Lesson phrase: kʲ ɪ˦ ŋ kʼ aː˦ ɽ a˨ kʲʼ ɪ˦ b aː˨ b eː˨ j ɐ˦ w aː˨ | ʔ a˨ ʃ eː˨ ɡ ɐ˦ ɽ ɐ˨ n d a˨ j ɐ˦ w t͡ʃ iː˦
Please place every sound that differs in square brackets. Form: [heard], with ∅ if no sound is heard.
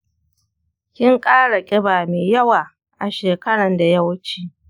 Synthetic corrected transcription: kʲ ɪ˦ ŋ kʼ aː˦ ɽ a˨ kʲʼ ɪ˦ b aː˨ [m] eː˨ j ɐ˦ w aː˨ | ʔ a˨ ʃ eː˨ [k] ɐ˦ ɽ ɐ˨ n d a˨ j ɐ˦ w t͡ʃ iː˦